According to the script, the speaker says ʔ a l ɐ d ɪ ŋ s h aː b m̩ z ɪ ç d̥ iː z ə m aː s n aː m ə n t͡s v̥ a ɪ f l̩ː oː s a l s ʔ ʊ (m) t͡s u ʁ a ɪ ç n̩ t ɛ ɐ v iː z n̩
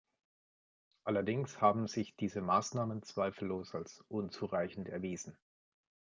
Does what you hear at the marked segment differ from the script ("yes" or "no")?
yes